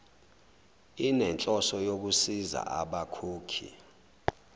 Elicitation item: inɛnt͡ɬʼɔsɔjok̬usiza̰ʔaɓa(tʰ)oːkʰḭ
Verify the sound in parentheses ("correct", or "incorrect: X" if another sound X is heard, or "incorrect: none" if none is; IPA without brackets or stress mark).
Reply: incorrect: kʰ